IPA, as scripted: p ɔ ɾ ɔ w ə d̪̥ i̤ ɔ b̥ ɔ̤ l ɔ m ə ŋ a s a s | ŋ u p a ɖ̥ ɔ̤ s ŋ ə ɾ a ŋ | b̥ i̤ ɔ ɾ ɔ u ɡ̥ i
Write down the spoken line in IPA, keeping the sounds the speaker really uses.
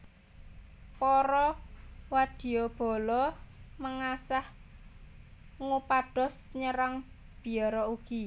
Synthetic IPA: p ɔ ɾ ɔ w a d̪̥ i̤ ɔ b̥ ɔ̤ l ɔ m ə ŋ a s a h | ŋ u p a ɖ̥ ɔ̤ s ɲ ə ɾ a ŋ | b̥ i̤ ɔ ɾ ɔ u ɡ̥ i